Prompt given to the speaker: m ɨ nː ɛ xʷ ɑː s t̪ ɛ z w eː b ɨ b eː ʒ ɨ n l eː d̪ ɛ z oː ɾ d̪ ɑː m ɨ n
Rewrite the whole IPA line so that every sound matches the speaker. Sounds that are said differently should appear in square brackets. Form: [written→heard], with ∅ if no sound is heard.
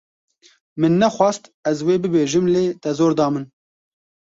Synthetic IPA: m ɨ nː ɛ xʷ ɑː s t̪ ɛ z w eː b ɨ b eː ʒ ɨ [n→m] l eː [d̪→t̪] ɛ z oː ɾ d̪ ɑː m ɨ n